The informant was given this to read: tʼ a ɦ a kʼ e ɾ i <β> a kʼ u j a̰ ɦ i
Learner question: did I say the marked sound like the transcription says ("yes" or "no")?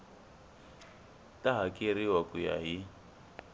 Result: no